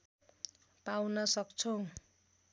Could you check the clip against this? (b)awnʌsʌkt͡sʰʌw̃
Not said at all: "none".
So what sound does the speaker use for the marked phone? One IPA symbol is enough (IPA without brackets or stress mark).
p